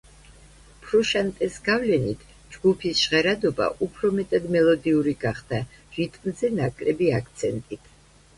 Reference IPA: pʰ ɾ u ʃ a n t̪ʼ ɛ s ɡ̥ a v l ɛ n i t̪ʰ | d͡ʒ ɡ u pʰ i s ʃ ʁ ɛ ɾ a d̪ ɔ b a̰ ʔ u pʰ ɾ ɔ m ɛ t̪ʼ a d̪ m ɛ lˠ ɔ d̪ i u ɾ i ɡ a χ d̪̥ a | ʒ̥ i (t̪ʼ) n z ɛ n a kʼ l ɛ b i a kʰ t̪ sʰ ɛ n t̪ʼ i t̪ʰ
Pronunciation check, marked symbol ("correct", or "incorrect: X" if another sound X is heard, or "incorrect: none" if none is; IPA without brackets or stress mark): correct